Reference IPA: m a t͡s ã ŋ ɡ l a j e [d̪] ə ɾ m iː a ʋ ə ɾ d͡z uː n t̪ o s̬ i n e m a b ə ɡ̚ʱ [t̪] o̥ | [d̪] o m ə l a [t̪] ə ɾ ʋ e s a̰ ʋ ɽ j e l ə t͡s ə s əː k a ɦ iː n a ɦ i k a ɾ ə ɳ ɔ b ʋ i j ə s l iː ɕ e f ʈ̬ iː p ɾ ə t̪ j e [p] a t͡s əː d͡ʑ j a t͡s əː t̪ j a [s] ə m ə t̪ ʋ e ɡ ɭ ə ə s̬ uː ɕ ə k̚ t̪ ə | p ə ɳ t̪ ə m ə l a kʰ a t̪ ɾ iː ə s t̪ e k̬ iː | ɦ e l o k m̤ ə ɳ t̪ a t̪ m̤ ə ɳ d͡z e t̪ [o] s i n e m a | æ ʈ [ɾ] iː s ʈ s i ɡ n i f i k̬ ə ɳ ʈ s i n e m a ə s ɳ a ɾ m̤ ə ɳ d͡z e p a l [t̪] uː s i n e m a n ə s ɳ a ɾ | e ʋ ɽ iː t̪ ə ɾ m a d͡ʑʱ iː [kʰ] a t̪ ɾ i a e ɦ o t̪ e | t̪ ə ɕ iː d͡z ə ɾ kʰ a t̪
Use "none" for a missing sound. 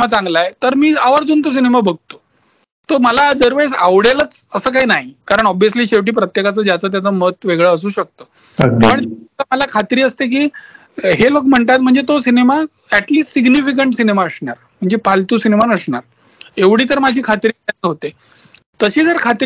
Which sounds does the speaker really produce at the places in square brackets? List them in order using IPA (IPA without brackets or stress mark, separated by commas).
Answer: t̪, t̪, t̪, d̪, k, t͡s, o, l, t̪, kʰ